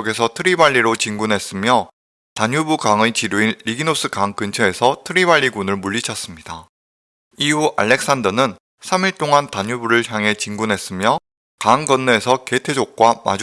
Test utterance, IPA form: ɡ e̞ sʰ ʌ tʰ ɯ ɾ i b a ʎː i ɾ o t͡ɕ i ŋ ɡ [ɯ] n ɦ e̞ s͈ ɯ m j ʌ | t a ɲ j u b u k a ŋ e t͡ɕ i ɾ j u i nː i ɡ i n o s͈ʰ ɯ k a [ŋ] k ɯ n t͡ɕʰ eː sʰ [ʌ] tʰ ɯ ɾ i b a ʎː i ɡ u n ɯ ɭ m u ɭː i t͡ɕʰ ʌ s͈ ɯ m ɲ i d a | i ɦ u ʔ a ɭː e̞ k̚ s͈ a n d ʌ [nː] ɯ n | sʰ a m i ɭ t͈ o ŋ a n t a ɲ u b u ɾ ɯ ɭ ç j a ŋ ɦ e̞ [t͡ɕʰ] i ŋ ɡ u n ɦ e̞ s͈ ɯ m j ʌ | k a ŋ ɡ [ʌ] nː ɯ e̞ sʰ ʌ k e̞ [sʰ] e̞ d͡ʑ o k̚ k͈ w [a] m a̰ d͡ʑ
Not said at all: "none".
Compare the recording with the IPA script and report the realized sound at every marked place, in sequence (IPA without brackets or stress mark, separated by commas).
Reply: u, ŋ, ʌ, n, t͡ɕ, ʌ, tʰ, a